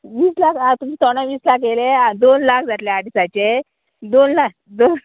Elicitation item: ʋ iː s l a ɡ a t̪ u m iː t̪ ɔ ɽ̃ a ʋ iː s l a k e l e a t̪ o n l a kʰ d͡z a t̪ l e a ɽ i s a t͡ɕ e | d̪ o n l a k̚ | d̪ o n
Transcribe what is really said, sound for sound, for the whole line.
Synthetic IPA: ʋ iː s l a k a t̪ u m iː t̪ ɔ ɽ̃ a ʋ iː s l a k e l e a d̪ o n l a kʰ d͡z a t̪ l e a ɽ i s a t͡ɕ e | d̪ o n l a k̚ | d̪ o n